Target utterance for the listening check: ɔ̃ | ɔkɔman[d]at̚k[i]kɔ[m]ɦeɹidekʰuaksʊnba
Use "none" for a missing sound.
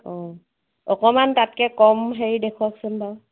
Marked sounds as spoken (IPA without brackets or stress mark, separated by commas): t, ɛ, m